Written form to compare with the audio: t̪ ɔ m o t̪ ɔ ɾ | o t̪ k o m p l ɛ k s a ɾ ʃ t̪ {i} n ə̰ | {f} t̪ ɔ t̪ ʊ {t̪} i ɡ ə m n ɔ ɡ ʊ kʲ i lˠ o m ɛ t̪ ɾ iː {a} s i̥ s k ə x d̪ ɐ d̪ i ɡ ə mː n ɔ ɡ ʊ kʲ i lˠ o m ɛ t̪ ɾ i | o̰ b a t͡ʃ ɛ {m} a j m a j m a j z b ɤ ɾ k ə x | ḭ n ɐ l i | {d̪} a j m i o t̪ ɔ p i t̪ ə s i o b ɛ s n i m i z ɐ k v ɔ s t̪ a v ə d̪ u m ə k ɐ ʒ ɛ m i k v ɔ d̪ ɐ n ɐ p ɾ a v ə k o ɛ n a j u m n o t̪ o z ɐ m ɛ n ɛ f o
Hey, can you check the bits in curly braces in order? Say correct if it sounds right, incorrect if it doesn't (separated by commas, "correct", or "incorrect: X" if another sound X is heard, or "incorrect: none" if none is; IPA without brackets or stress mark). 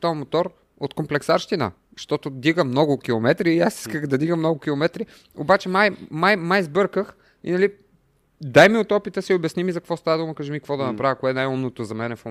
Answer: correct, incorrect: ʃ, incorrect: d̪, correct, correct, correct